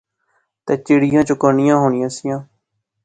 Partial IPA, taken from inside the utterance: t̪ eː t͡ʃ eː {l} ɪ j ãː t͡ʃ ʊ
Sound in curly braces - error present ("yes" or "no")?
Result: yes